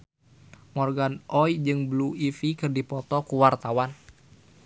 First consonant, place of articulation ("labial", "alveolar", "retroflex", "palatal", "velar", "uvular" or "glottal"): labial